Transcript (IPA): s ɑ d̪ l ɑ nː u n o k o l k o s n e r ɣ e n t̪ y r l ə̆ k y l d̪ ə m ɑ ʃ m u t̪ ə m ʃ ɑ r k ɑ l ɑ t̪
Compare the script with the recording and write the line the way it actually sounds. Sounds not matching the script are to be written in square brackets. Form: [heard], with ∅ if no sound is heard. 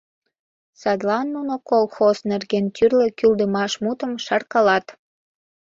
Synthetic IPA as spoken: s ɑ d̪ l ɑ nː u n o k o l [x] o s n e r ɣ e n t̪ y r l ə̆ k y l d̪ ə m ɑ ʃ m u t̪ ə m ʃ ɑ r k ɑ l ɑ t̪